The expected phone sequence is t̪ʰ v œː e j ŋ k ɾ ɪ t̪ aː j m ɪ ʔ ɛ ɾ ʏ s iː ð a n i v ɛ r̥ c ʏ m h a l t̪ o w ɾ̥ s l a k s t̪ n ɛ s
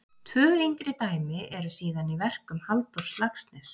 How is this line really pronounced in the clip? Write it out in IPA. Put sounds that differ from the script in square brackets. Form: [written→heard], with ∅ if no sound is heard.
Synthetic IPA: t̪ʰ v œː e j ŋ k ɾ ɪ t̪ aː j m ɪ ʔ ɛ ɾ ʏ s iː ð a n i v ɛ r̥ [c→k] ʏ m h a l t̪ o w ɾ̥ s l a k s t̪ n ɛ s